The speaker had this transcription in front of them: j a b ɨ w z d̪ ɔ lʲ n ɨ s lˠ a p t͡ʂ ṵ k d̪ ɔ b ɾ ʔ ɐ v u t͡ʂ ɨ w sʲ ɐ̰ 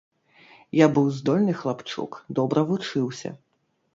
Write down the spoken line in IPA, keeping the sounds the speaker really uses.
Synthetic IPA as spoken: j a b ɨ w z d̪ ɔ lʲ n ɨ x lˠ a p t͡ʂ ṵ k d̪ ɔ b ɾ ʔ ɐ v u t͡ʂ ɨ w sʲ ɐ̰

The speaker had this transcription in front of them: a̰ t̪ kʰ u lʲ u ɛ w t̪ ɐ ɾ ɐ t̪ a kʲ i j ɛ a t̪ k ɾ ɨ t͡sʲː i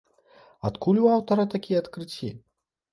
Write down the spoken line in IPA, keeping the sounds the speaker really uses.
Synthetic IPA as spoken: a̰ t̪ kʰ u lʲ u a w t̪ ɐ ɾ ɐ t̪ a kʲ i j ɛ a t̪ k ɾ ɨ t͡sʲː i

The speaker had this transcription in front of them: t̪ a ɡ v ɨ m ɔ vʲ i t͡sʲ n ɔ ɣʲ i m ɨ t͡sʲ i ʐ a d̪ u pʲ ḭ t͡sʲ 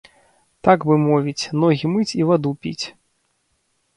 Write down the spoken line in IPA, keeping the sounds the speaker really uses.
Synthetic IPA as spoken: t̪ a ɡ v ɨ m ɔ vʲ i t͡sʲ n ɔ ɣʲ i m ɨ t͡sʲ i v a d̪ u pʲ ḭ t͡sʲ

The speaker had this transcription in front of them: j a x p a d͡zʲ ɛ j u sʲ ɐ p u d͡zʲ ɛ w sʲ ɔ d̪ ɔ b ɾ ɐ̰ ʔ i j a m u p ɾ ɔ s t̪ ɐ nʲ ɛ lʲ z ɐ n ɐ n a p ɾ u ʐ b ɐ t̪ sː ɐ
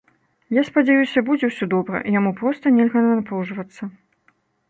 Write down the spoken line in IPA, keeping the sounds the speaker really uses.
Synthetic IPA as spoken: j a s p a d͡zʲ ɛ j u sʲ ɐ b u d͡zʲ ɛ w sʲ ɔ d̪ ɔ b ɾ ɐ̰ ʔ i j a m u p ɾ ɔ s t̪ ɐ nʲ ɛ lʲ ɣ ɐ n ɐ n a p ɾ u ʐ v ɐ t̪ sː ɐ

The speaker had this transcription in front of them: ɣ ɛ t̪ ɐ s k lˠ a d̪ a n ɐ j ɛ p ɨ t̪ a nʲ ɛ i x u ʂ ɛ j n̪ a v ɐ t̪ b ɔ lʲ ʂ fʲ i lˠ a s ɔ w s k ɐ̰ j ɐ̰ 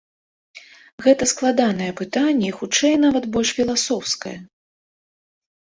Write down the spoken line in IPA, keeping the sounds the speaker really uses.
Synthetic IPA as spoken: ɣ ɛ t̪ ɐ s k lˠ a d̪ a n ɐ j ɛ p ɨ t̪ a nʲː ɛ i x u t͡ʂ ɛ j n̪ a v ɐ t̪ b ɔ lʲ ʂ fʲ i lˠ a s ɔ w s k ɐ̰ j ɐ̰

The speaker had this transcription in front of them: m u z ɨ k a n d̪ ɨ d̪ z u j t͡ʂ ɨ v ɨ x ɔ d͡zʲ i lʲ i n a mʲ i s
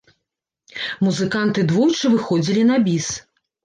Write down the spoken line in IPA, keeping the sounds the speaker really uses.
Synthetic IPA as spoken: m u z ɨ k a n t̪ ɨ d̪ v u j t͡ʂ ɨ v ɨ x ɔ d͡zʲ i lʲ i n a bʲ i s

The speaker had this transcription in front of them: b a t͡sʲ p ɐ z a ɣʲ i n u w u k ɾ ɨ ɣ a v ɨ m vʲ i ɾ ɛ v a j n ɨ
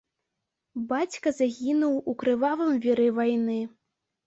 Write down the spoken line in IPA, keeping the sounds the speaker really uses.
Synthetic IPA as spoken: b a t͡sʲ k ɐ z a ɣʲ i n u w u k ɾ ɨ v a v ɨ m vʲ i ɾ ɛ v a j n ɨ

